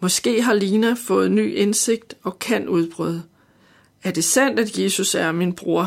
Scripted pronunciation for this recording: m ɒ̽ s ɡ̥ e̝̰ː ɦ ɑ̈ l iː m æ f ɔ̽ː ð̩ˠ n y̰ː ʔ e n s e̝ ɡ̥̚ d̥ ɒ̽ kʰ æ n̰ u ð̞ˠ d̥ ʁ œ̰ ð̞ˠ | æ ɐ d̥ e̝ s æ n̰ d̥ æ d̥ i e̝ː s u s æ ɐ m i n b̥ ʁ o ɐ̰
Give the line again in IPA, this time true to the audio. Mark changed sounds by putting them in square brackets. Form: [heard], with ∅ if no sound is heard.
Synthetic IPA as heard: m ɒ̽ s ɡ̥ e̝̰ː ɦ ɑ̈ l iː [n] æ f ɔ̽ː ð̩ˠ n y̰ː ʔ e n s e̝ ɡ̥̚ d̥ ɒ̽ kʰ æ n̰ u ð̞ˠ [b̥] ʁ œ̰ ð̞ˠ | æ ɐ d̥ e̝ s æ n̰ d̥ æ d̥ [j] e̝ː s u s æ ɐ m i n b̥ ʁ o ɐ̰